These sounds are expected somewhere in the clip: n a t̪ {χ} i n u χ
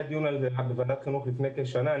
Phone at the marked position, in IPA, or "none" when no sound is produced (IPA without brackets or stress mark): χ